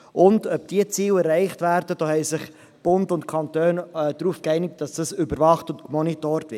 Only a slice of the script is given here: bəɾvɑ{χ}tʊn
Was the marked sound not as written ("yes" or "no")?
no